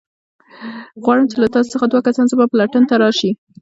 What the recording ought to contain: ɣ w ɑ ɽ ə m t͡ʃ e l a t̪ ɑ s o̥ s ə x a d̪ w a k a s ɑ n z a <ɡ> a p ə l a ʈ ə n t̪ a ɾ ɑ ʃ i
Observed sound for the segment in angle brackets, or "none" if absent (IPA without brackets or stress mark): b